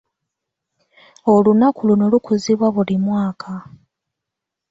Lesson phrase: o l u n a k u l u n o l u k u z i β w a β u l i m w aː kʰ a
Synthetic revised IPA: o l u n a k u l u n o l u k u z i β w a β u l i m w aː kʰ a